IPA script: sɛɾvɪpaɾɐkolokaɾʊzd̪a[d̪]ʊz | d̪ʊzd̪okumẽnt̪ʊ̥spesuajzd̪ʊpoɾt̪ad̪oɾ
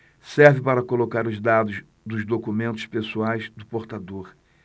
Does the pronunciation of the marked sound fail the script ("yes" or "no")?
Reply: no